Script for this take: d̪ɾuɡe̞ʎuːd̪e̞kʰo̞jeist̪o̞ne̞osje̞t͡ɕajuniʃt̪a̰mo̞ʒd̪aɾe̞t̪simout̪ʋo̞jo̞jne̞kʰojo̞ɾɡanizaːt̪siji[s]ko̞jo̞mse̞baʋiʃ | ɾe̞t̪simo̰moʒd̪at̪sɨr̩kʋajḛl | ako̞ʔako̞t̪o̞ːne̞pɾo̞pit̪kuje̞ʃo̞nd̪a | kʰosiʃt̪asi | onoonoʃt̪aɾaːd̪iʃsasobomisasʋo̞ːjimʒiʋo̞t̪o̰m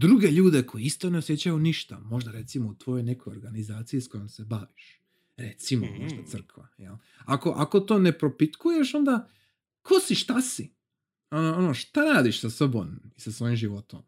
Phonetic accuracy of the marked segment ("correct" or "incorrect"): correct